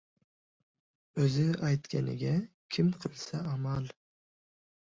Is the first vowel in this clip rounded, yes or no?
yes